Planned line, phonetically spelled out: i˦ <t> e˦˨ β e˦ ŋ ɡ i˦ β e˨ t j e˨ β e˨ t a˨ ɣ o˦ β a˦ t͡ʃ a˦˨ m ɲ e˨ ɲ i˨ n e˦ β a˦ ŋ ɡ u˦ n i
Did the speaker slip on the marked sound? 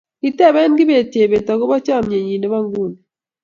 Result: no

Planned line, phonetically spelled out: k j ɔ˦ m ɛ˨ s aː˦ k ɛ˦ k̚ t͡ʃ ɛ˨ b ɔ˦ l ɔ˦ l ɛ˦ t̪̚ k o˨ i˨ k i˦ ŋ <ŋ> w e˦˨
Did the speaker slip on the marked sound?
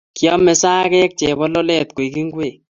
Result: yes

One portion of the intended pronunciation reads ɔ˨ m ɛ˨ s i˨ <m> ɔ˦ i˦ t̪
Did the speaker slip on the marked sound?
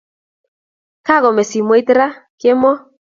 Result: no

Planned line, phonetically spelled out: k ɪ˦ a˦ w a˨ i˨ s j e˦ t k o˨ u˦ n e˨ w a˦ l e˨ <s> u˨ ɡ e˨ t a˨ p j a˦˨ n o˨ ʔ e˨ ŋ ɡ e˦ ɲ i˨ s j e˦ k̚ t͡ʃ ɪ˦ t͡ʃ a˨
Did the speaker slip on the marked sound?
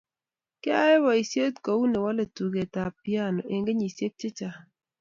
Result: yes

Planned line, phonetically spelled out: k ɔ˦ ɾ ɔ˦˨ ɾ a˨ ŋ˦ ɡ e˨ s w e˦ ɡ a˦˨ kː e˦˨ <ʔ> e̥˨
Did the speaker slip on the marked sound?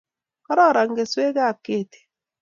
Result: yes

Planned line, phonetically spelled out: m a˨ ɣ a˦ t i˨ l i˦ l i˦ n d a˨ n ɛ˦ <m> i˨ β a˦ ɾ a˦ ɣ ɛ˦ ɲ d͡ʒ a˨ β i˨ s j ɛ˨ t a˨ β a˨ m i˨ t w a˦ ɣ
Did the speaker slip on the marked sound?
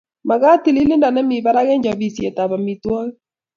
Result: no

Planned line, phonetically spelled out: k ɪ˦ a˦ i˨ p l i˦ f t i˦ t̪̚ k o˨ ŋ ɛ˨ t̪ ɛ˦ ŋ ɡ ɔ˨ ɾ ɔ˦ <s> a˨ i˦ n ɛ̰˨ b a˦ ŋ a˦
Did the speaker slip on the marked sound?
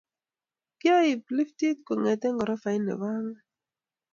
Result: yes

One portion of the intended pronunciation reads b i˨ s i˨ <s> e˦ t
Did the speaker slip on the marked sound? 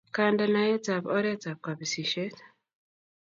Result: yes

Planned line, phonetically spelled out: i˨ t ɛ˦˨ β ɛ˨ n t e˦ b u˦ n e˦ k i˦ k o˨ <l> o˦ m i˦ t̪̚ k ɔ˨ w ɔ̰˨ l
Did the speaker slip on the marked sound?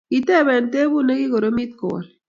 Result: yes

